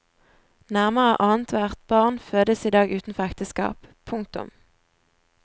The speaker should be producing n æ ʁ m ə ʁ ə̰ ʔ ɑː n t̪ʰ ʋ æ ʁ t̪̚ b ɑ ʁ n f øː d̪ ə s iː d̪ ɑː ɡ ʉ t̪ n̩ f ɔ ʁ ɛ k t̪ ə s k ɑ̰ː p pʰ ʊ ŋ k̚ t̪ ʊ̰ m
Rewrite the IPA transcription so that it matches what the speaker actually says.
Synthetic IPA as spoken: n æ ʁ m ə ʁ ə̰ ʔ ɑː n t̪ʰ ʋ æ ʁ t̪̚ b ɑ ʁ n f øː d̪ ə s iː d̪ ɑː ɡ ʉː t̪ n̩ f ɔ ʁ ɛ k t̪ ə s k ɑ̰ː p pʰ ʊ ŋ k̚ t̪ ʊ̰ m